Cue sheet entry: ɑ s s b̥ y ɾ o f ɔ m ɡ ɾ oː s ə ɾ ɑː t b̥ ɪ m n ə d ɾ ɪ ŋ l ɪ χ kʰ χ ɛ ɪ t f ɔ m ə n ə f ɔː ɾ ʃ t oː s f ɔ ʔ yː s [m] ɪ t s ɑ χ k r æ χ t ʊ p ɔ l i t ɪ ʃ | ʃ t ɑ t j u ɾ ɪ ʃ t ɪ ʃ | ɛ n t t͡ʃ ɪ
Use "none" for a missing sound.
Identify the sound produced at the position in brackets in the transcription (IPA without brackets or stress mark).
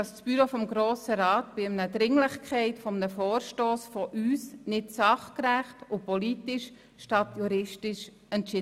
n